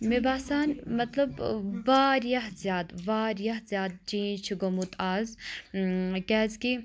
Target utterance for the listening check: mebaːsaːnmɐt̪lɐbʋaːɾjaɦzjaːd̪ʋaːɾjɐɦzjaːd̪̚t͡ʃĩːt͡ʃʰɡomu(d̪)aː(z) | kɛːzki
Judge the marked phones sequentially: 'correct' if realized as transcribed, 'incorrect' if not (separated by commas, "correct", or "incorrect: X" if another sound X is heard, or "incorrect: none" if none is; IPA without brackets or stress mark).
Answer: incorrect: t̪, correct